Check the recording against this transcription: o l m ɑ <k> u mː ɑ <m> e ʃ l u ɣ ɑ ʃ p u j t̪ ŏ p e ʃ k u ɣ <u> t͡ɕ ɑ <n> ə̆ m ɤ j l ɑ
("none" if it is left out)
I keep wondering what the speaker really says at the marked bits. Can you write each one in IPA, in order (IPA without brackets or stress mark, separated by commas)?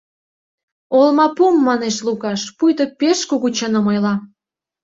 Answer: p, n, u, n